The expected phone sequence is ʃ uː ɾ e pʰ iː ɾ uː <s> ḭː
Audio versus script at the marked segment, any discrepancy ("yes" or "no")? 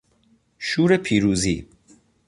yes